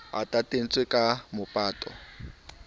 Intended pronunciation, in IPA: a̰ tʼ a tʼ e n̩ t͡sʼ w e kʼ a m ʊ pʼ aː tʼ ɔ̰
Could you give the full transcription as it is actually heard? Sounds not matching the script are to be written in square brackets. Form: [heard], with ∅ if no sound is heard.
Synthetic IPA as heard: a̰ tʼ a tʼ e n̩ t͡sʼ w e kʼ a m ʊ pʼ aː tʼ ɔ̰